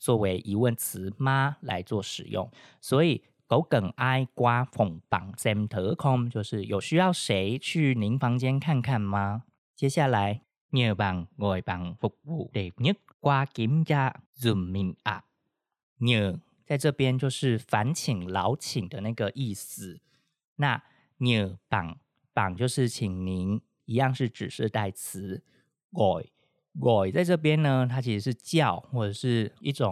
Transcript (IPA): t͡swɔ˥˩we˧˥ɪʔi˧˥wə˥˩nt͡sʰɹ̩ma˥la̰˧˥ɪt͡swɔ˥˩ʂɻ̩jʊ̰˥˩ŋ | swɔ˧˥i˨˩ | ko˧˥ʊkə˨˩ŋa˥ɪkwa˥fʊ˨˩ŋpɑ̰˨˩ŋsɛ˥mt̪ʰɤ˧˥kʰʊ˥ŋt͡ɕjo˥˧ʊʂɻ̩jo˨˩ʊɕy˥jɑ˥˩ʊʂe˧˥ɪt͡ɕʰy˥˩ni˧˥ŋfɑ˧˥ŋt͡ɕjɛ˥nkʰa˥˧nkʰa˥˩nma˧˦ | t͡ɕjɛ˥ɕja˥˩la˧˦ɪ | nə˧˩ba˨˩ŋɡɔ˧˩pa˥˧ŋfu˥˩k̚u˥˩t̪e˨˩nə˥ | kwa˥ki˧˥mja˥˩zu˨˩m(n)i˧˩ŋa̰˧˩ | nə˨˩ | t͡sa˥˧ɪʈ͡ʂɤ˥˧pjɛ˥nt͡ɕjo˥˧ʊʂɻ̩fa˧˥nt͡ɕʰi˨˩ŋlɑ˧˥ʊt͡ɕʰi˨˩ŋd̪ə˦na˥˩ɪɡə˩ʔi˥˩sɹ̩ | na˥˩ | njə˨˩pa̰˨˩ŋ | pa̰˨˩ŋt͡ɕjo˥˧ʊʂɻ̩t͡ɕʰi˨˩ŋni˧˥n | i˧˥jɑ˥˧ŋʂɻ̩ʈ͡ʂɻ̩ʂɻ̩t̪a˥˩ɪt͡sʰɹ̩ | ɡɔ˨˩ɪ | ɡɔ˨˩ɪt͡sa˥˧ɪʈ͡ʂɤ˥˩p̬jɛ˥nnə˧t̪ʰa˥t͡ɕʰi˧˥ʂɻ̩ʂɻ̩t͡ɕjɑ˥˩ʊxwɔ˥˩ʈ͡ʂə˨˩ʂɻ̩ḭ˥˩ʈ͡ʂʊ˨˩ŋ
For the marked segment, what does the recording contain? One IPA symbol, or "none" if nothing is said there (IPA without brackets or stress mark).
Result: m